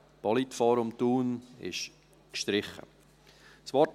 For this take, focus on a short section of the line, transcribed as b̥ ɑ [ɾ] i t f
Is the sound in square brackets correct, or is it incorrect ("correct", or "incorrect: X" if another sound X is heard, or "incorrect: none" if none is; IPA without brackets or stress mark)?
incorrect: l